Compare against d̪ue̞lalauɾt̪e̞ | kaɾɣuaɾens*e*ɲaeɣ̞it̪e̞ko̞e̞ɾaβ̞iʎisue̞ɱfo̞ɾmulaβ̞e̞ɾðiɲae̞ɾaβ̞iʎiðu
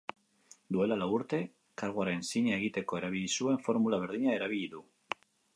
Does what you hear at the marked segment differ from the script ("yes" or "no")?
yes